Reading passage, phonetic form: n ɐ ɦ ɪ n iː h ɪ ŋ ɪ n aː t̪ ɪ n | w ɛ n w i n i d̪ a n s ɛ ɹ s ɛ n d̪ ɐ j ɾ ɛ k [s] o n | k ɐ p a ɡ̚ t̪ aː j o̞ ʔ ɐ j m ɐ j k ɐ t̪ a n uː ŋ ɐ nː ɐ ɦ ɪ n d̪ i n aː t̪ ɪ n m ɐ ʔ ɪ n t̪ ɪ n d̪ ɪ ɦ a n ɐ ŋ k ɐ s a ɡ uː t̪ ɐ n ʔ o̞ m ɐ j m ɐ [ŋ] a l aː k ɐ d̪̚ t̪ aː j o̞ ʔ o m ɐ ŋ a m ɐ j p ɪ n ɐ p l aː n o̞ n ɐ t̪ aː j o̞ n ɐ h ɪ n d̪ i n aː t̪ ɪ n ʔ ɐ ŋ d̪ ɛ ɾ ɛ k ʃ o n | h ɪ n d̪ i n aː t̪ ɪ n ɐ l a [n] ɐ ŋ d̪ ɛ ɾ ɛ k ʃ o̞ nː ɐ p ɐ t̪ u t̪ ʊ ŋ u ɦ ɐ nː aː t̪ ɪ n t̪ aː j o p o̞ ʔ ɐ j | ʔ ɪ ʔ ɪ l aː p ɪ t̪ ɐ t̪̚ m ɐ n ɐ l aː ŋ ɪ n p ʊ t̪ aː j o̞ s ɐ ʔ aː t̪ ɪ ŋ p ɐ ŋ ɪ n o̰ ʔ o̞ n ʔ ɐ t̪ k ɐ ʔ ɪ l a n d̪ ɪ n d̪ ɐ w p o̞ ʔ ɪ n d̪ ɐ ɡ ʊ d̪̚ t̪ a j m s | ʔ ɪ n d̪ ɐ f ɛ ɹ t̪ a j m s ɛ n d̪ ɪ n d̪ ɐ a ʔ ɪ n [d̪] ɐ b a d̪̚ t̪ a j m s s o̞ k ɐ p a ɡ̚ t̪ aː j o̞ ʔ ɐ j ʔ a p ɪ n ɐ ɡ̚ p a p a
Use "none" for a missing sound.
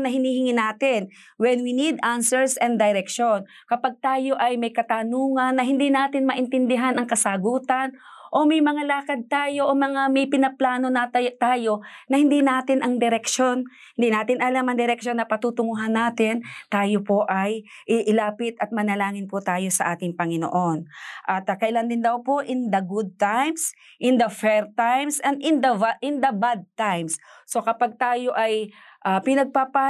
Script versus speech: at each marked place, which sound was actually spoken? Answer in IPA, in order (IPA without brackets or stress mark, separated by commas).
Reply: ʃ, ŋ, m, d̪